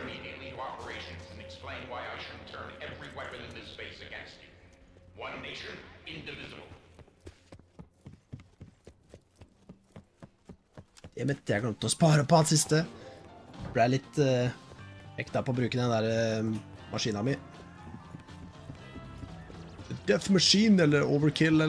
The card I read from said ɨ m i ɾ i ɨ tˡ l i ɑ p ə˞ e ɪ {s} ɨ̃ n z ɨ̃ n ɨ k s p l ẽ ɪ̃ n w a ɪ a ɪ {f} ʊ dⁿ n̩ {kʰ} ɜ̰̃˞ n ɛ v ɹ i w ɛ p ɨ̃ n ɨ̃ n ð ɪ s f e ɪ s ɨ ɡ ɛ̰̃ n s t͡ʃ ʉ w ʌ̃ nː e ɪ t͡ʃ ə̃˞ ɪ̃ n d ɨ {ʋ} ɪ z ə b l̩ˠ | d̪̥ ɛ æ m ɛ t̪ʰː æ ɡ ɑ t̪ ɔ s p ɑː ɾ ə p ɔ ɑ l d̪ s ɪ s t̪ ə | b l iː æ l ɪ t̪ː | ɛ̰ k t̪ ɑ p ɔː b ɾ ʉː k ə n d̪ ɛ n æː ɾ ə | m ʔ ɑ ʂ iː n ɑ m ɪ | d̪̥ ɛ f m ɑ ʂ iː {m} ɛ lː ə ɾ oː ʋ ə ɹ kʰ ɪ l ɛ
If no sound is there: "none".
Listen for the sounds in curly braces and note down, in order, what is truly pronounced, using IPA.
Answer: ʃ, ʃ, tʰ, v, n

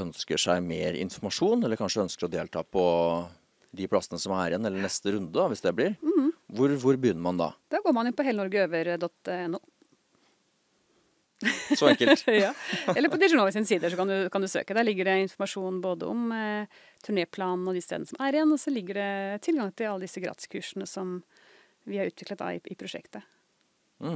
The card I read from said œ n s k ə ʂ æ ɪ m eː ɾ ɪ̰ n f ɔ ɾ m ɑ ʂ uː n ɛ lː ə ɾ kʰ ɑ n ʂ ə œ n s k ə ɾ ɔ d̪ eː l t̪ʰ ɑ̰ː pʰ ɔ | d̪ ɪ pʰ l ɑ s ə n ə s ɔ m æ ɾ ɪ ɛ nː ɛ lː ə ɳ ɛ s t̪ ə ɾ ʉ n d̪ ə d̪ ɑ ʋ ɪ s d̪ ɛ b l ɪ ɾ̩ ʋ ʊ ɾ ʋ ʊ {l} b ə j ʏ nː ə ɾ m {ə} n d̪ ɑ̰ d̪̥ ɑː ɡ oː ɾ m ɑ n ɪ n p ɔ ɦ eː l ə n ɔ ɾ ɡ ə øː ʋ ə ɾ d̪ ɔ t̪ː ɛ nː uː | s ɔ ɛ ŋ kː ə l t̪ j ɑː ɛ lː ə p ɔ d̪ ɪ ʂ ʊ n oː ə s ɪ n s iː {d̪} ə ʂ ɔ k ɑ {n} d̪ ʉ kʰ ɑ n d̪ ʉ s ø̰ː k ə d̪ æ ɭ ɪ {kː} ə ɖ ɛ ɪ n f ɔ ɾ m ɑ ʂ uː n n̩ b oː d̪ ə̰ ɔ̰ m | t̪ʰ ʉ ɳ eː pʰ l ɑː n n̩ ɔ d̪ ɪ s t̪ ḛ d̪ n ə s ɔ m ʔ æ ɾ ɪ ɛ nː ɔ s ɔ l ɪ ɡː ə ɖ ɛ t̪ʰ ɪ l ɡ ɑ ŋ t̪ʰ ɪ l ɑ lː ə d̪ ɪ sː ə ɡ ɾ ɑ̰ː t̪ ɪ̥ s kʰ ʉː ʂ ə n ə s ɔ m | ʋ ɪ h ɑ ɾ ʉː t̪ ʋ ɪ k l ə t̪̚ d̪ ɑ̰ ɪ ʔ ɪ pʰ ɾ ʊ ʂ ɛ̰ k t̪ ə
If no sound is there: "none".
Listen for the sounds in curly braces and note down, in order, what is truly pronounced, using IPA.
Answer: ɾ, ɑ, d̪, n, ɡː

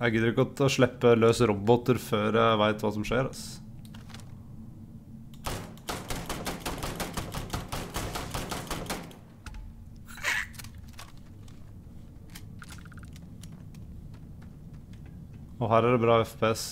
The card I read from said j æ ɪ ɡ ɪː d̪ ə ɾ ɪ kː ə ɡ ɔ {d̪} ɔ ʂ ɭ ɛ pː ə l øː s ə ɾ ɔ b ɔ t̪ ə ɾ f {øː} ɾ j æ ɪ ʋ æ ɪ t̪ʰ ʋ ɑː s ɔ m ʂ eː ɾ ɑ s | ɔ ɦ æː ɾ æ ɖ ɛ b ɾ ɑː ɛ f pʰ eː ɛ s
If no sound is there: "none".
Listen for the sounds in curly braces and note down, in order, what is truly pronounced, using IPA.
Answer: t̪, øː

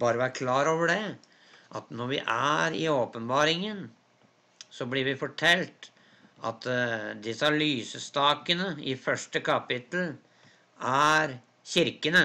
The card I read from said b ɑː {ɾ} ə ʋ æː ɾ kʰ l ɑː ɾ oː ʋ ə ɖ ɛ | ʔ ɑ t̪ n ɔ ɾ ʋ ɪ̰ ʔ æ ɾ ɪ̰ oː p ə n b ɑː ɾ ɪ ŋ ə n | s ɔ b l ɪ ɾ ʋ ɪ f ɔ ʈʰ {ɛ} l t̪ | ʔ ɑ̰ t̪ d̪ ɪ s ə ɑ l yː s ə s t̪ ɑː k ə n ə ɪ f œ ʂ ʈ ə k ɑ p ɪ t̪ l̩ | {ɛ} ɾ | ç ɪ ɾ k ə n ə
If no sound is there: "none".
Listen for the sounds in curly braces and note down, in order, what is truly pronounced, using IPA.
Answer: ɾ, ɛ, æ

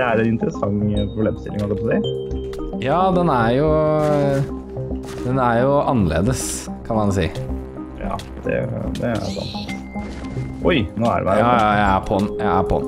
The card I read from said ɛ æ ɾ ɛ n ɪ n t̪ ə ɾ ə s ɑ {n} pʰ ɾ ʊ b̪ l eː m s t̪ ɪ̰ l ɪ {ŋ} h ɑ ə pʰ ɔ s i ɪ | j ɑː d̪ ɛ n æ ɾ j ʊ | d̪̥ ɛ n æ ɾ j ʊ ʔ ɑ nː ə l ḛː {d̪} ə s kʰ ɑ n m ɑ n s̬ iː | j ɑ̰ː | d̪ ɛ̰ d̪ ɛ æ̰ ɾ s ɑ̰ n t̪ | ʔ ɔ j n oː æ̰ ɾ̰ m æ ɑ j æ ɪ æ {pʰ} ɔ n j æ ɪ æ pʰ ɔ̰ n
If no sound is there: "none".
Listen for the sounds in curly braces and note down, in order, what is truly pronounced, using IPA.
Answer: ŋ, ŋ, d̪, pʰ

